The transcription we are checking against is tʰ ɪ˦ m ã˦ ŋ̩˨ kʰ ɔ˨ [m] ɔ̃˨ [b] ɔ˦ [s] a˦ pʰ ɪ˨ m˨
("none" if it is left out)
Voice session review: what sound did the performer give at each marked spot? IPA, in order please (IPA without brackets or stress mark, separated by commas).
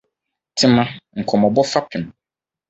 m, b, f